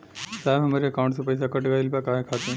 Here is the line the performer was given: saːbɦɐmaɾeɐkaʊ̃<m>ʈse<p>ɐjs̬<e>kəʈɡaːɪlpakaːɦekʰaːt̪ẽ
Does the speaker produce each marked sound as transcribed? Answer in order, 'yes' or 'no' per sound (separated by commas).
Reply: no, yes, no